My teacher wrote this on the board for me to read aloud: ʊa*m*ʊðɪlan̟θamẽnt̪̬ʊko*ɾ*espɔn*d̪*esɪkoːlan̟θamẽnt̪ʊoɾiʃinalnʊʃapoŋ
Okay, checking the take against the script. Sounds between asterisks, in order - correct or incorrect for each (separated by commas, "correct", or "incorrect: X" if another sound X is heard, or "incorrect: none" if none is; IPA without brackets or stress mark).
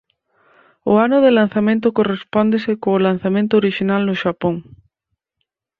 incorrect: n, incorrect: r, correct